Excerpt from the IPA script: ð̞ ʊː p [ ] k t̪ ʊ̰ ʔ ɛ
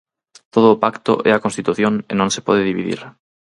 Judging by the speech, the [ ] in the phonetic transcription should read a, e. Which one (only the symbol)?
a